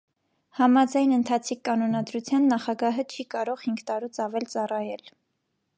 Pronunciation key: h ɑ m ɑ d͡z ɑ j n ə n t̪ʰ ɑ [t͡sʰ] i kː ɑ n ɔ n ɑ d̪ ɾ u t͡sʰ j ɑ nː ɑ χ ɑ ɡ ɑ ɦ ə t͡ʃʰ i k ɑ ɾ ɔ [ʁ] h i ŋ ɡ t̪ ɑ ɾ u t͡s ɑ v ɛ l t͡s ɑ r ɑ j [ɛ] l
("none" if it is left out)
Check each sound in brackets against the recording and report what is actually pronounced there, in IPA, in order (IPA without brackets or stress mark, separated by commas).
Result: t͡sʰ, ʁ, ɛ